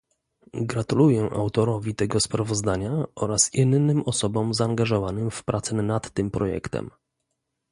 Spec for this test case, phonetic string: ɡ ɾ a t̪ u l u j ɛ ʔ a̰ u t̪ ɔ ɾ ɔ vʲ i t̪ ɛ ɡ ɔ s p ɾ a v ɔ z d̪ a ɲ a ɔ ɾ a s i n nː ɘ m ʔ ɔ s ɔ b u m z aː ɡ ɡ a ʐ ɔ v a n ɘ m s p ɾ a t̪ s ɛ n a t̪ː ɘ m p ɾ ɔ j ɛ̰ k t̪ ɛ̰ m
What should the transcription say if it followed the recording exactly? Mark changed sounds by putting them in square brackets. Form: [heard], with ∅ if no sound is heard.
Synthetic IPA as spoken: ɡ ɾ a t̪ u l u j ɛ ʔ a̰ [w] t̪ ɔ ɾ ɔ vʲ i t̪ ɛ ɡ ɔ s p ɾ a v ɔ z d̪ a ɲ a ɔ ɾ a s i n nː ɘ m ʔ ɔ s ɔ b [ɔ] m z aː [ŋ] ɡ a ʐ ɔ v a n ɘ m [f] p ɾ a t̪ s ɛ n a t̪ː ɘ m p ɾ ɔ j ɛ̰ k t̪ ɛ̰ m